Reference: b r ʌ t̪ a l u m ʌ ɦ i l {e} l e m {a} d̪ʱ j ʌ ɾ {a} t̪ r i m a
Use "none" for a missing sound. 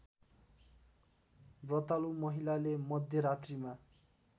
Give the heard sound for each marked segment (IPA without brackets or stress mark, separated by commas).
a, ʌ, a